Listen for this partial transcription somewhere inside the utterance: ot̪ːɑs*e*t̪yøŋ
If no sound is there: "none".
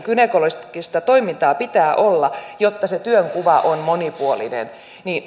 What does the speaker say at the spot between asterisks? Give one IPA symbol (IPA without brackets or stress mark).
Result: e